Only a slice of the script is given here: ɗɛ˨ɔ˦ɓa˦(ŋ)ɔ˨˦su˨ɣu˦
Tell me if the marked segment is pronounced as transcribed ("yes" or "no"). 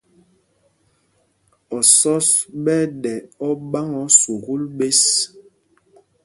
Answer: yes